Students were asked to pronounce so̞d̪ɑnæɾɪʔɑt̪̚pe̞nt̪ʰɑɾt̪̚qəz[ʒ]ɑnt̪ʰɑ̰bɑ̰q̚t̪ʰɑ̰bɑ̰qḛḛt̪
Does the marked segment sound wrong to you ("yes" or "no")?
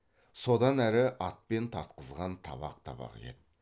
yes